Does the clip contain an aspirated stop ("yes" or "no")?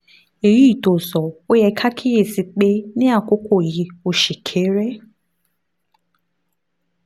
yes